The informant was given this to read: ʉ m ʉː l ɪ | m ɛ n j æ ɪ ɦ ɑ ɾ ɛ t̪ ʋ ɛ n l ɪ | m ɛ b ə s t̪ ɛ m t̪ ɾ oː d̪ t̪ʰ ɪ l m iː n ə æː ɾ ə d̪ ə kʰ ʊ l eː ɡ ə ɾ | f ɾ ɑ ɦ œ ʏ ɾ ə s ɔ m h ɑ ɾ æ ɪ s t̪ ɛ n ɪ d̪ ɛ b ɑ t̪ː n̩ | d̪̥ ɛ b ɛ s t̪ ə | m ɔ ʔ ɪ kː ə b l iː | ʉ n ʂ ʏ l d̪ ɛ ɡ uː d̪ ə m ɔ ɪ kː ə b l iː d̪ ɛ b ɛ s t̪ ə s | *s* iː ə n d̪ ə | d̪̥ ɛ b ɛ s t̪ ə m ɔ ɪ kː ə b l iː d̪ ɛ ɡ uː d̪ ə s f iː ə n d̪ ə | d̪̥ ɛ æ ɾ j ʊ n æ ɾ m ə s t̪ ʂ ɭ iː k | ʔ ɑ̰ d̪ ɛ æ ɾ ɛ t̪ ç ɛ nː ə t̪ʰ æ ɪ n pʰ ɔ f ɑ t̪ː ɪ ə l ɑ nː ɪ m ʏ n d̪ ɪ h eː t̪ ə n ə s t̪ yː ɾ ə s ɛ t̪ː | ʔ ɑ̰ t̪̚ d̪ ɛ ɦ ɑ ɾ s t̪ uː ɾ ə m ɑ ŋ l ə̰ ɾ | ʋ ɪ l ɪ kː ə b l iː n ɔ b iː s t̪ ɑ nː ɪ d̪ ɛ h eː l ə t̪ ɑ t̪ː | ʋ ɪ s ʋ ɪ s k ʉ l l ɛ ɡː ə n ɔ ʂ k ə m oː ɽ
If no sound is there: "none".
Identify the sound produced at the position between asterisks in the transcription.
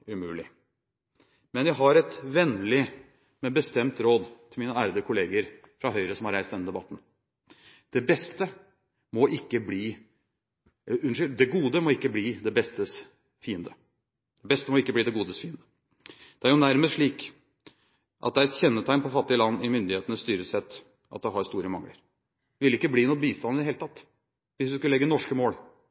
f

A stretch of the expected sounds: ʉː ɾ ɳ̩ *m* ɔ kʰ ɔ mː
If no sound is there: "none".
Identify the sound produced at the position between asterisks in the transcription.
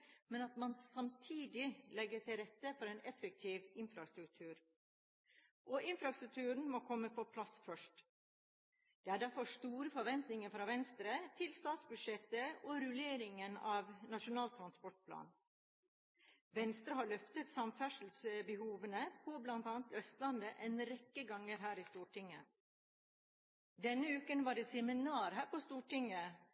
m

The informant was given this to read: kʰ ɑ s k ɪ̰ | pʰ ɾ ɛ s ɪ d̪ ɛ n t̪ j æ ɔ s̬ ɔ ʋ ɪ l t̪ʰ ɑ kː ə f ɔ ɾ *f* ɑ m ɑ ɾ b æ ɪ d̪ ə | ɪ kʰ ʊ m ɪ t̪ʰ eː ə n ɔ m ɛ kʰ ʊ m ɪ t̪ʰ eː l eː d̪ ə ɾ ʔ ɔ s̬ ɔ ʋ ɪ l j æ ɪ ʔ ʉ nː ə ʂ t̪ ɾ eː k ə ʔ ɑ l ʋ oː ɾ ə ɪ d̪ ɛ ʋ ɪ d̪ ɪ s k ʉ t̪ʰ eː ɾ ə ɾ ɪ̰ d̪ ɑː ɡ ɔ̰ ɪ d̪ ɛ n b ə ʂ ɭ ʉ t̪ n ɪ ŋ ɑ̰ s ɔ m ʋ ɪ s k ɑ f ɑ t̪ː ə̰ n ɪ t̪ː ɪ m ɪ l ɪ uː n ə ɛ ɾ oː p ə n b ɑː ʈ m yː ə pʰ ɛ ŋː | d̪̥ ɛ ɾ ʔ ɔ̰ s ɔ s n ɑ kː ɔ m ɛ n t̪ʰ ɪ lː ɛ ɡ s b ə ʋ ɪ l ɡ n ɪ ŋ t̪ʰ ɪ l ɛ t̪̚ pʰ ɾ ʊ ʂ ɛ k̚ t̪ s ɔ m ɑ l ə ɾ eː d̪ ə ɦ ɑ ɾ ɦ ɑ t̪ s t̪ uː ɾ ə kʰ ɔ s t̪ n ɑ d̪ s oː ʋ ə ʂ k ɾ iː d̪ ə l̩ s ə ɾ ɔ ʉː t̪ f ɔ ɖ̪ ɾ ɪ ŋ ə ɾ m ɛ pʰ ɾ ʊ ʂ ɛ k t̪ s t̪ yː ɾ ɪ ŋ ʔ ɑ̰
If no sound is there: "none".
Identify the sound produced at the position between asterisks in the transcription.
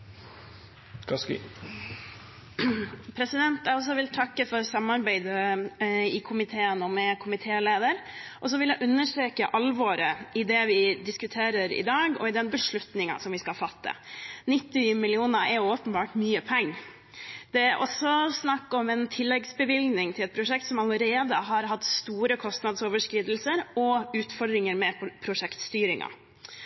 s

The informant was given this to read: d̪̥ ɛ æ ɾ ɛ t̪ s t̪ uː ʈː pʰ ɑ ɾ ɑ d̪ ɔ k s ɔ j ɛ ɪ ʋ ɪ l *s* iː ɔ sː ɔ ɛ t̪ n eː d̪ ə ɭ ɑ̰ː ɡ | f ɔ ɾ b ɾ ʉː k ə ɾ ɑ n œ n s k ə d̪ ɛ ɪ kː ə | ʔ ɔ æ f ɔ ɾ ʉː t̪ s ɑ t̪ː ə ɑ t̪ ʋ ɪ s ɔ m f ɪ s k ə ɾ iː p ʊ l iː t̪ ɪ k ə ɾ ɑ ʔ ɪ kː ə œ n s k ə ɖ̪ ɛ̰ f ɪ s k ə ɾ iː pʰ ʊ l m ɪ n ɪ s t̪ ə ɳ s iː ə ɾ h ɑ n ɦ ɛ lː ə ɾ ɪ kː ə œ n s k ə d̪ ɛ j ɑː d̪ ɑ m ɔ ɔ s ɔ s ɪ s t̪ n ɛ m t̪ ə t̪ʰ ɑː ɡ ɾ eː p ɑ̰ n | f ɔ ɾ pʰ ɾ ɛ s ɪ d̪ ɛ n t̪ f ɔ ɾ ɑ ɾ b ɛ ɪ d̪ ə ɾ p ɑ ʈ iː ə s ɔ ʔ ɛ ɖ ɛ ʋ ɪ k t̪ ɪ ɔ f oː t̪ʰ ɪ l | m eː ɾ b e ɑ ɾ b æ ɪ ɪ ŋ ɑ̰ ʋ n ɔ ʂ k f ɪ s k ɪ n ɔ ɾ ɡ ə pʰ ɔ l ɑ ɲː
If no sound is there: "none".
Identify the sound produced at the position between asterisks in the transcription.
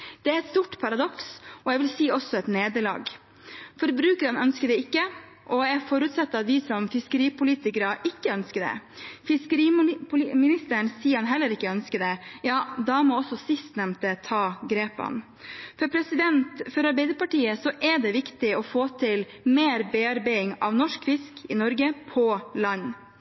s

